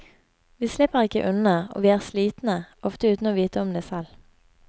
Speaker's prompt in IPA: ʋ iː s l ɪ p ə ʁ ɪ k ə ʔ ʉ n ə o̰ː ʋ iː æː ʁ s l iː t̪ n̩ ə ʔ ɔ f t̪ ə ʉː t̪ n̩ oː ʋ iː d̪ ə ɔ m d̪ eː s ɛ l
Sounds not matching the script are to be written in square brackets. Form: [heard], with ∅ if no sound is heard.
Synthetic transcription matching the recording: ʋ iː s l ɪ p ə ʁ ɪ k ə ʔ ʉ n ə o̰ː ʋ iː æː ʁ s l iː t̪ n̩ ə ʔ ɔ f t̪ ə ʉː t̪ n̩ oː ʋ iː [t̪] ə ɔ m d̪ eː s ɛ l